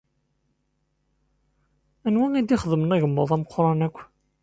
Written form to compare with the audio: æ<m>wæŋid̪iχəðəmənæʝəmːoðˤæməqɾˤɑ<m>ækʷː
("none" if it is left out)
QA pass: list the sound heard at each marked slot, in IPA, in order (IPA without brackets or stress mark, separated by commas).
n, n